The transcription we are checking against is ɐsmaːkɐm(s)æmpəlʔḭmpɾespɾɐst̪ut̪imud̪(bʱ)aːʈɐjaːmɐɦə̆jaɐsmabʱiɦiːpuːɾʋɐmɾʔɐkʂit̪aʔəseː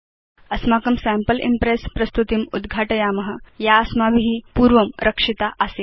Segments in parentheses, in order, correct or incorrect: correct, incorrect: ɡʱ

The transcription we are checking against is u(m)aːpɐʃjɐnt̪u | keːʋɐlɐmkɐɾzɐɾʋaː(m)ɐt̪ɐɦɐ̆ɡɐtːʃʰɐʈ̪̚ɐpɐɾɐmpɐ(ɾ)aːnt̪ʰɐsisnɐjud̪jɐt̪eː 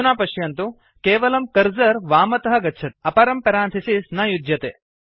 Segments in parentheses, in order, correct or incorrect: incorrect: n, correct, correct

